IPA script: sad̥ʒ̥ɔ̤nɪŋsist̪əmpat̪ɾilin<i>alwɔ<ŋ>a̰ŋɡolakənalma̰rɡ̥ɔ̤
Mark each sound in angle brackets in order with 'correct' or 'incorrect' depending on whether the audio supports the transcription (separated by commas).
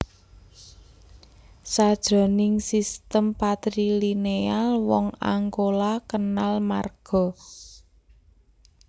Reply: incorrect, correct